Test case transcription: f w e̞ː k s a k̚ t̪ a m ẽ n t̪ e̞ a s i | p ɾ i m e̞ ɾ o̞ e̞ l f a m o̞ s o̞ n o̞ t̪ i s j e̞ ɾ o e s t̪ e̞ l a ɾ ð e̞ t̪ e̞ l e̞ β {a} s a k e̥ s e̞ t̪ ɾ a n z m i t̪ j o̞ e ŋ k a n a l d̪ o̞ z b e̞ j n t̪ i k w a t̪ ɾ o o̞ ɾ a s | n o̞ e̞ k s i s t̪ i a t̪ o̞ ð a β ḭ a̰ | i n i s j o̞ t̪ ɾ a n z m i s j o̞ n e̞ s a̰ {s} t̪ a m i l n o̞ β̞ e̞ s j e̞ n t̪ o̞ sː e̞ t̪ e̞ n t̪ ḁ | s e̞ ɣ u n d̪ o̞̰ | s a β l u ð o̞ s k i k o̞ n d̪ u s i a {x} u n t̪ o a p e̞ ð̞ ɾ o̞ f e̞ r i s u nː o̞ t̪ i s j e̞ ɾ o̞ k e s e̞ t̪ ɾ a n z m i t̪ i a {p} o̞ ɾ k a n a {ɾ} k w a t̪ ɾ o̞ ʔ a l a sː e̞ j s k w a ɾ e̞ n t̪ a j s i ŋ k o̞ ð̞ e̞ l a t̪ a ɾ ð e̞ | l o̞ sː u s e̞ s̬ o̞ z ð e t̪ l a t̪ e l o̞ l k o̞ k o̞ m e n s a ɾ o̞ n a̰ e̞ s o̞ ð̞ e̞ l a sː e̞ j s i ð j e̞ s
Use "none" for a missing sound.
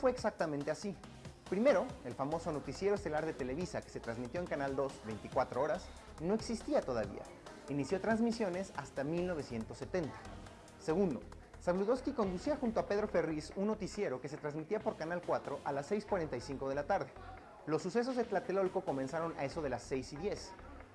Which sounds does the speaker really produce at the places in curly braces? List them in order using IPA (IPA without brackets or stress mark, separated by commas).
i, s, x, p, l